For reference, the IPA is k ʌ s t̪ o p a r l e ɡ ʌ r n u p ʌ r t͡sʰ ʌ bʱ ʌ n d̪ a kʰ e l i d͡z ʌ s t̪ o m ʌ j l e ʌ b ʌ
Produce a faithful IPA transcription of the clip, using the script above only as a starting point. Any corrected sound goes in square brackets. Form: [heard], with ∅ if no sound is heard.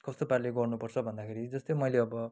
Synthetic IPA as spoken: k ʌ s t̪ o p a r l e ɡ ʌ r n u p ʌ r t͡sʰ ʌ bʱ ʌ n d̪ a kʰ e [ɾ] i d͡z ʌ s t̪ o m ʌ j l e ʌ b ʌ